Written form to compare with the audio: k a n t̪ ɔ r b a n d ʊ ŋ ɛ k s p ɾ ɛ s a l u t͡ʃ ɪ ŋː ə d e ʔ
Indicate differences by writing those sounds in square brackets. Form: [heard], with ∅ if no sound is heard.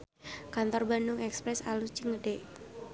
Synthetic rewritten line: k a n t̪ ɔ r b a n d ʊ ŋ ɛ k s p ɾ ɛ s a l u t͡ʃ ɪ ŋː ə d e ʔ